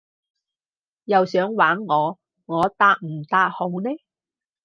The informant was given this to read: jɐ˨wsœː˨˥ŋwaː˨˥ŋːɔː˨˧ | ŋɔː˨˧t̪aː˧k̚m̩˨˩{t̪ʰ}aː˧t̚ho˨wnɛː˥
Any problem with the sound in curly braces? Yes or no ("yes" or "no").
yes